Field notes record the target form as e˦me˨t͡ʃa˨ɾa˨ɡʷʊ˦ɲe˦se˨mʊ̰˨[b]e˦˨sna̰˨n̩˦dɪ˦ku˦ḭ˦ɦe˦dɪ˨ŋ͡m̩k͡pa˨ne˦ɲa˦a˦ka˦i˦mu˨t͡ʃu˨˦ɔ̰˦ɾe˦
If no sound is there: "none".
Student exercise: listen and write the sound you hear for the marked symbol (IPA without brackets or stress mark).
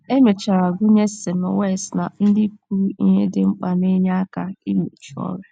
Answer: w